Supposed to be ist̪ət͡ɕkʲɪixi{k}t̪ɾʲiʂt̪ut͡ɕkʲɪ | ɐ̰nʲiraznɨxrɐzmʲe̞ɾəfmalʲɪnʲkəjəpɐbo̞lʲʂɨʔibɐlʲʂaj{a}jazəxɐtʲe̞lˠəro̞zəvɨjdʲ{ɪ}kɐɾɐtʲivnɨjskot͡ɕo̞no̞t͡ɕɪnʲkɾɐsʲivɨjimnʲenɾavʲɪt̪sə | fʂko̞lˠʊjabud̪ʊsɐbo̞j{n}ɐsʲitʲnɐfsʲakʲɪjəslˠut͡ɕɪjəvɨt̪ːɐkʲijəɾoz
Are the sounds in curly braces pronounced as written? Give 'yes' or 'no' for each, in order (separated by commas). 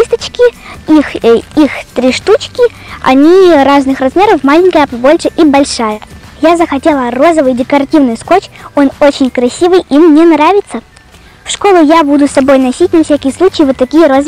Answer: no, no, yes, yes